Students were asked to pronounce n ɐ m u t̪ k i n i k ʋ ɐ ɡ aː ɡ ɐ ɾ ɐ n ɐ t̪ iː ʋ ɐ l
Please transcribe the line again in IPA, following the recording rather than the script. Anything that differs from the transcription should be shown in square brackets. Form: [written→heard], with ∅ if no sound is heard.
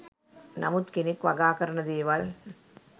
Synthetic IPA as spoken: n ɐ m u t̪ k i n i k ʋ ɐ ɡ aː [ɡ→k] ɐ ɾ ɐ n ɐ [t̪→d̪] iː ʋ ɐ l